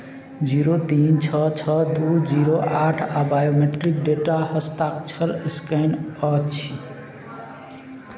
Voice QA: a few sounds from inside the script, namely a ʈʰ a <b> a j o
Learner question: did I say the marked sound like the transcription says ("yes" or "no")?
yes